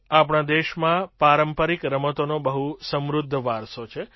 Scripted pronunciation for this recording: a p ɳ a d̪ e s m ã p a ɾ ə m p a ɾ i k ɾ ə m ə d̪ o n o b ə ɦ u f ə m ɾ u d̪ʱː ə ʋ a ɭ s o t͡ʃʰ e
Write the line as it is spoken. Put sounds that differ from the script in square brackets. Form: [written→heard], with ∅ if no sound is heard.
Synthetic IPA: a p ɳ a d̪ e [s→ʃ] m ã p a ɾ ə m p [a→ə] ɾ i k ɾ ə m ə [d̪→t̪] o n o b ə ɦ u [f→s] ə m ɾ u d̪ʱː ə ʋ a [ɭ→ɾ] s o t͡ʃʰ e